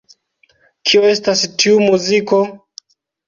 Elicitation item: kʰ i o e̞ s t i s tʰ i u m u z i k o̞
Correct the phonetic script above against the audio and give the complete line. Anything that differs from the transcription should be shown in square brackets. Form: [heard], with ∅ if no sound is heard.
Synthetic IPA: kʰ i o e̞ s t [a] s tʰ i u m u z i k o̞